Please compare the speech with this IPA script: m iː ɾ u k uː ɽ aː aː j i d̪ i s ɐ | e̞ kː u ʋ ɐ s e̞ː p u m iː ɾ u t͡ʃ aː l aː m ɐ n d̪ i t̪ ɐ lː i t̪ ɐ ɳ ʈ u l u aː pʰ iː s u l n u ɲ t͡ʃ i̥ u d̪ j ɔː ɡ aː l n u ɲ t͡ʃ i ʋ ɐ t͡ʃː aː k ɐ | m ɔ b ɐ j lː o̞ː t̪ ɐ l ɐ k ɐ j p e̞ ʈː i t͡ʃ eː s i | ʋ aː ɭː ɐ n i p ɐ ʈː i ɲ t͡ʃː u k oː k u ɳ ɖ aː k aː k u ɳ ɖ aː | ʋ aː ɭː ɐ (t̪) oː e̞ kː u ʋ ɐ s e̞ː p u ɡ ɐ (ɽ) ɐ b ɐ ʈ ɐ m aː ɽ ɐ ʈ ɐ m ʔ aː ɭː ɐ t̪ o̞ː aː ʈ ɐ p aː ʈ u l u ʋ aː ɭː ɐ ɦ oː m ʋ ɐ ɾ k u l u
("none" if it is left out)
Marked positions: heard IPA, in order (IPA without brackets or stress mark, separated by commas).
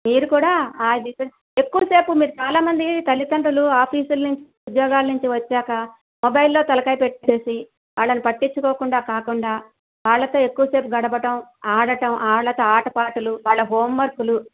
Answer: t̪, ɽ